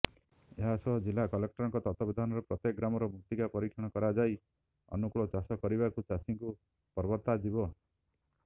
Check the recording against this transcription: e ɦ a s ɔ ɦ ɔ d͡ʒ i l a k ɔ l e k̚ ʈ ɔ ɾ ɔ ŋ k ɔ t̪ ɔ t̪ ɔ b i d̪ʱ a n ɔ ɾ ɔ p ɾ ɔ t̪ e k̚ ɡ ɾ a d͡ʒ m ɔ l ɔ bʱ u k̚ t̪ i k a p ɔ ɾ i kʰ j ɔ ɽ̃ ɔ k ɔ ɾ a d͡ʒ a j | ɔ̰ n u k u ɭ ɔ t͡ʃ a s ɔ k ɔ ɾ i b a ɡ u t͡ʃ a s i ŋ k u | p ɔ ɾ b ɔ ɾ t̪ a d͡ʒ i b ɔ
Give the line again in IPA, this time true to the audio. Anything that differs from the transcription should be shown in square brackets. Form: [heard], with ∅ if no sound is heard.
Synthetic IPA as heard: e ɦ a s ɔ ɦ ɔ d͡ʒ i l a k ɔ l e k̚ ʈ ɔ ɾ ɔ ŋ k ɔ t̪ ɔ t̪ ɔ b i d̪ʱ a n ɔ ɾ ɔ p ɾ ɔ t̪ e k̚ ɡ ɾ a [∅] m ɔ [ɾ] ɔ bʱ u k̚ t̪ i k a p ɔ ɾ i kʰ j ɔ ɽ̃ ɔ k ɔ ɾ a d͡ʒ a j | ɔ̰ n u k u ɭ ɔ t͡ʃ a s ɔ k ɔ ɾ i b a [k] u t͡ʃ a s i ŋ k u | p ɔ ɾ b ɔ ɾ t̪ a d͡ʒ i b ɔ